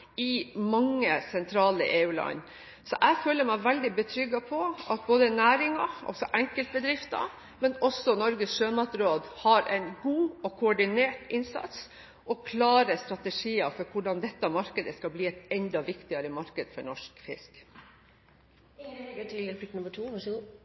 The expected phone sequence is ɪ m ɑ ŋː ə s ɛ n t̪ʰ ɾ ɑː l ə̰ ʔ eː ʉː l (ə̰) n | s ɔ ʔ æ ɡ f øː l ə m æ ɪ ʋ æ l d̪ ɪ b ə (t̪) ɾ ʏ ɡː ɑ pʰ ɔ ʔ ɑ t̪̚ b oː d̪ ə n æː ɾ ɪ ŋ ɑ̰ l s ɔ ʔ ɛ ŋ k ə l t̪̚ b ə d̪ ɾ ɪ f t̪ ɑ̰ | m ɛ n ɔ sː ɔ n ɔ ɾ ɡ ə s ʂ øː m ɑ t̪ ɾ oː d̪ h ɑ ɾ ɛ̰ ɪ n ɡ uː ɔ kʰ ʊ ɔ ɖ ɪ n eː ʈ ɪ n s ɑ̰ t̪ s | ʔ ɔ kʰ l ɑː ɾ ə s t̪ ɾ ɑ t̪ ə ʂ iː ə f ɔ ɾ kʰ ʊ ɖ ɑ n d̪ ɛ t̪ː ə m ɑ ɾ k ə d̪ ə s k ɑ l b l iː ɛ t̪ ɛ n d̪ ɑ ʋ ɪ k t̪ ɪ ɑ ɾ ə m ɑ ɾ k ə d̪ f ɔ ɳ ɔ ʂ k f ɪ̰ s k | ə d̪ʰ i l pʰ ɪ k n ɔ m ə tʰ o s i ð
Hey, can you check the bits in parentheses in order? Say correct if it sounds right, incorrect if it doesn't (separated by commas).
incorrect, incorrect